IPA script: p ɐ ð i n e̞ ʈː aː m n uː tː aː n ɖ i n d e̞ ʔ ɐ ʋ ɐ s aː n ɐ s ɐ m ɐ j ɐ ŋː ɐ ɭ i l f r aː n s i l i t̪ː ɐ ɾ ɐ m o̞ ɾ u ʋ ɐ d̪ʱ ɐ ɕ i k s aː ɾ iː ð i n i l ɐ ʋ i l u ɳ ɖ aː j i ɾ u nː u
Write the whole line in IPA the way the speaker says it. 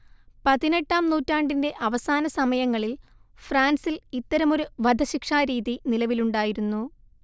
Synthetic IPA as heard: p ɐ ð i n e̞ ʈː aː m n uː tː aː ɳ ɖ i n d e̞ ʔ ɐ ʋ ɐ s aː n ɐ s ɐ m ɐ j ɐ ŋː ɐ ɭ i l f r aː n s i l i t̪ː ɐ ɾ ɐ m o̞ ɾ u ʋ ɐ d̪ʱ ɐ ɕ i k ʂ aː ɾ iː ð i n i l ɐ ʋ i l u ɳ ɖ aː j i ɾ u nː u